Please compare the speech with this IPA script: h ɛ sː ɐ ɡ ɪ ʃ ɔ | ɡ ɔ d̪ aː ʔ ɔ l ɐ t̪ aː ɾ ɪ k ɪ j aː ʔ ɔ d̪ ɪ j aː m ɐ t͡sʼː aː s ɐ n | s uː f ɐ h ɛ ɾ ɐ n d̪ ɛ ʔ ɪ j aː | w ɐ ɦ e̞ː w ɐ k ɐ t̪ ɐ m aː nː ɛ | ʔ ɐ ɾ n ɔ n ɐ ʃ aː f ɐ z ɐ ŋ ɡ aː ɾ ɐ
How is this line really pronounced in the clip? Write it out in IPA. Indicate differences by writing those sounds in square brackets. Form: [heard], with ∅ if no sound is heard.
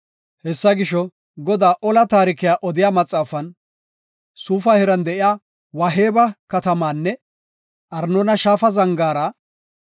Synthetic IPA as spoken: h ɛ sː ɐ ɡ ɪ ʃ ɔ | ɡ ɔ d̪ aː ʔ ɔ l ɐ t̪ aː ɾ ɪ k ɪ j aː ʔ ɔ d̪ ɪ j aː m ɐ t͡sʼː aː [f] ɐ n | s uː f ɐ h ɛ ɾ ɐ n d̪ ɛ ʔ ɪ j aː | w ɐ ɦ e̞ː [b] ɐ k ɐ t̪ ɐ m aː nː ɛ | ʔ ɐ ɾ n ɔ n ɐ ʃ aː f ɐ z ɐ ŋ ɡ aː ɾ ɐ